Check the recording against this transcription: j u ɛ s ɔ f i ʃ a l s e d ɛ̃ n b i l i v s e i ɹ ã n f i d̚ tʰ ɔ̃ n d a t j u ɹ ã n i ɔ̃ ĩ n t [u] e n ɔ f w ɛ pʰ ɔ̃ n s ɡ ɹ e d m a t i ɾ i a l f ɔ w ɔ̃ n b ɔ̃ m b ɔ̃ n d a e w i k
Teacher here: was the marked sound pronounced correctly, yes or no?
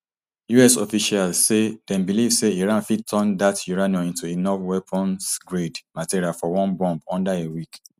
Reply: yes